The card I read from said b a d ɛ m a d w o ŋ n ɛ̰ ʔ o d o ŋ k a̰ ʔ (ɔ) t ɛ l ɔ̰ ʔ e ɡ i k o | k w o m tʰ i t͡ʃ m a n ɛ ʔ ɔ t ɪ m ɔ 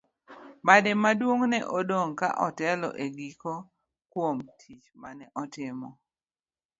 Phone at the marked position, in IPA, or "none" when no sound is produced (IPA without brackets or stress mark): ɔ